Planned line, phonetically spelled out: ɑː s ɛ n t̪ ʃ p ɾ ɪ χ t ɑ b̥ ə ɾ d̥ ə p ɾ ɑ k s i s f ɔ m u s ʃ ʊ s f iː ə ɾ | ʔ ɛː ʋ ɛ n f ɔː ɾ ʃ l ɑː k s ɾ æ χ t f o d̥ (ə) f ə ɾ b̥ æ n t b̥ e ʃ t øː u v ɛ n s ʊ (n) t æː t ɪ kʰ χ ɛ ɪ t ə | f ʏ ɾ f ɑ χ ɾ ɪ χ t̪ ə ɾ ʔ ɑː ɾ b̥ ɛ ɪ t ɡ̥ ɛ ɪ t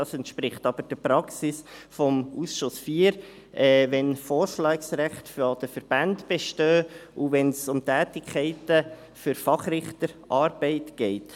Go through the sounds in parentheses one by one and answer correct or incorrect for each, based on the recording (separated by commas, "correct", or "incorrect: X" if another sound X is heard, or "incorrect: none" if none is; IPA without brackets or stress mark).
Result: correct, incorrect: m